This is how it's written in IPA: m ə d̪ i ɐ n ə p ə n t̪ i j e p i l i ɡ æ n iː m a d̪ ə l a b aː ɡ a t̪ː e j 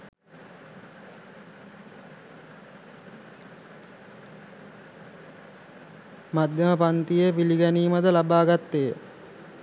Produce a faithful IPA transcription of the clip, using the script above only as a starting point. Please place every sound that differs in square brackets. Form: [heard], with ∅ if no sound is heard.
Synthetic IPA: m [a] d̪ [j] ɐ [m] ə p [a] n t̪ i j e p i l i ɡ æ n iː m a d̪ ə l a b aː ɡ a t̪ː e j